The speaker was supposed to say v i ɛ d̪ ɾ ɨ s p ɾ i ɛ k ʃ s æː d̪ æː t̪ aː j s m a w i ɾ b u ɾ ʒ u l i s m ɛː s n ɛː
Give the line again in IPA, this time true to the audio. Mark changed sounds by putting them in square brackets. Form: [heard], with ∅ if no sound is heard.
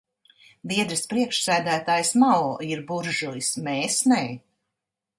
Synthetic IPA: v i ɛ d̪ ɾ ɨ s p ɾ i ɛ k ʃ s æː d̪ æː t̪ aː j s m a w i ɾ b u ɾ ʒ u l i s m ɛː s n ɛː